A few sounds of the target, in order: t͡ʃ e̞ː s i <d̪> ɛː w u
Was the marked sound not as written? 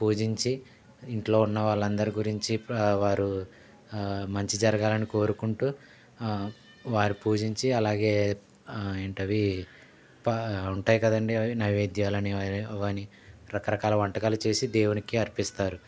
no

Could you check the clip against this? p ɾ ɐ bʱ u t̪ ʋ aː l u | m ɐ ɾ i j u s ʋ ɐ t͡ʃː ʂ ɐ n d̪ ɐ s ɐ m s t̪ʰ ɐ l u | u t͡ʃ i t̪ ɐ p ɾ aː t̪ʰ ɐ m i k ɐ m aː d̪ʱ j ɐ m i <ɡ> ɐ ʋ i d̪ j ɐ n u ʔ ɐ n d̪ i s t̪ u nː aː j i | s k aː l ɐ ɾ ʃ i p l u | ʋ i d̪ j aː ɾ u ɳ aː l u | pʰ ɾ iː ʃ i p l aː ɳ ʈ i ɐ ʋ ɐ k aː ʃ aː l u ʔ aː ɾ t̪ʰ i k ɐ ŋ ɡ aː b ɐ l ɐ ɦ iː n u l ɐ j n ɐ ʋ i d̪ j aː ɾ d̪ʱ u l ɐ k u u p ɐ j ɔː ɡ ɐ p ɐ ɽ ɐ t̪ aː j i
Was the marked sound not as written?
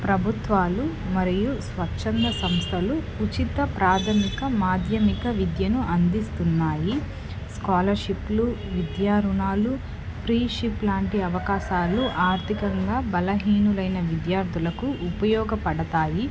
yes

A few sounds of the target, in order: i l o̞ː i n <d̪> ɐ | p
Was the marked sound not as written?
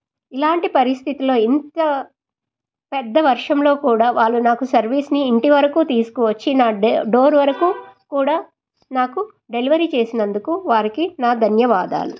yes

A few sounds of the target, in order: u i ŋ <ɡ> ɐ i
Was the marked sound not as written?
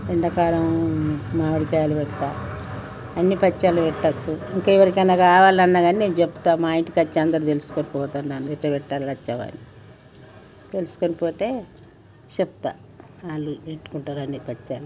yes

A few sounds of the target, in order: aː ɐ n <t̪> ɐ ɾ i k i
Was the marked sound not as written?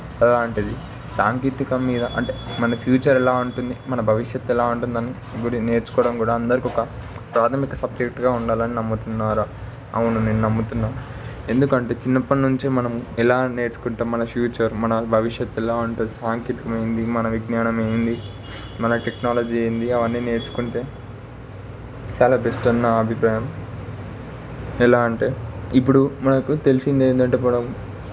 yes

